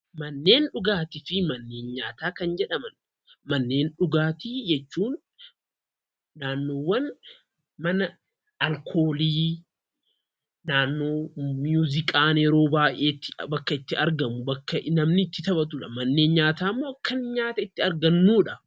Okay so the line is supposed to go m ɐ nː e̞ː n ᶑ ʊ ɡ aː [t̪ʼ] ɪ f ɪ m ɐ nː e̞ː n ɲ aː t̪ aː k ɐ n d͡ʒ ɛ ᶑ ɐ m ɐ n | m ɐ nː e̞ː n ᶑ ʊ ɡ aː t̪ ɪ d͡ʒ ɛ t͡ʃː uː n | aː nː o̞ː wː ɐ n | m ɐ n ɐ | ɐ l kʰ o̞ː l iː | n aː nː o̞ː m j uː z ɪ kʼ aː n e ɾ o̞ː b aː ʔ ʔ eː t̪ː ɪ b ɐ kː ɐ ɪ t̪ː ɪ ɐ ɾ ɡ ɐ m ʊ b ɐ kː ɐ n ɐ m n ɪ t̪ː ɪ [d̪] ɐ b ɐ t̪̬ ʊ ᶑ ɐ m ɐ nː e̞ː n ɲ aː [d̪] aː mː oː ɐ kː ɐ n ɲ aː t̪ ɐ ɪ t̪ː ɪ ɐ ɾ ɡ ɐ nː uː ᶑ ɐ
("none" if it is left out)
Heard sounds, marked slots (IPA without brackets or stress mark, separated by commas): t̪, t̪, t̪